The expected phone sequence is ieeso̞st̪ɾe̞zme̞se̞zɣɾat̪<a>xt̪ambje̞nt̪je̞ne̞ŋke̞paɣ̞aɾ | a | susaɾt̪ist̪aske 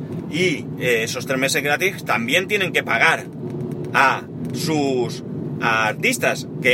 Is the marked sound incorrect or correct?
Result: incorrect